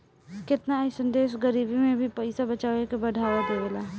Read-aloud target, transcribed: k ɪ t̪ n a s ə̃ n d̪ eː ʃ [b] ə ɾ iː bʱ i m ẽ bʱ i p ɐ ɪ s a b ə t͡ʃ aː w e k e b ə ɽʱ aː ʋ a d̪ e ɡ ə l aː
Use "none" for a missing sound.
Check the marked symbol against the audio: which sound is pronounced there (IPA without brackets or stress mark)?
ɡ